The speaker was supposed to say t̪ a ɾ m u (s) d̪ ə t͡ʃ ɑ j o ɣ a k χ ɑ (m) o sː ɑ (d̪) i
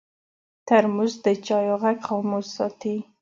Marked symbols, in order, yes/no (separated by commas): no, yes, no